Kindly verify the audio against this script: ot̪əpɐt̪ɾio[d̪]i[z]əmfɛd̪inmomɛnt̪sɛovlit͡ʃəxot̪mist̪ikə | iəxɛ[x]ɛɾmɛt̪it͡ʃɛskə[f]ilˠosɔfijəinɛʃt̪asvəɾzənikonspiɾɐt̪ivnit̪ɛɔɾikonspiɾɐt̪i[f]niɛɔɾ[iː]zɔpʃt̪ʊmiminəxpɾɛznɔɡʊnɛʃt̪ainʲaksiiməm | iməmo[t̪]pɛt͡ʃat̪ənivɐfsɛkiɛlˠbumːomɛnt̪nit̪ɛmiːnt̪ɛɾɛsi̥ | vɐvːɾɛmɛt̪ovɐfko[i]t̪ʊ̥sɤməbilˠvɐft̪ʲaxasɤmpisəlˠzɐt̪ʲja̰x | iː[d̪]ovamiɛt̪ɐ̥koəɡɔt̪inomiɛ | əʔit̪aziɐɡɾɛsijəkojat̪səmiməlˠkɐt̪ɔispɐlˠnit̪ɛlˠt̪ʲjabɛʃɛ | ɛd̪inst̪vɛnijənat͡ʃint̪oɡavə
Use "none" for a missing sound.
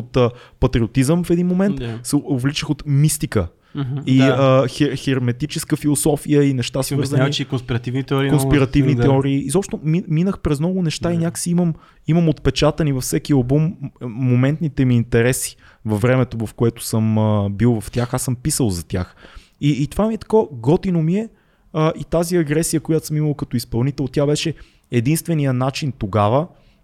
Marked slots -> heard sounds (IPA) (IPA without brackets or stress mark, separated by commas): t̪, z, x, f, v, iː, t̪, ɛ, t̪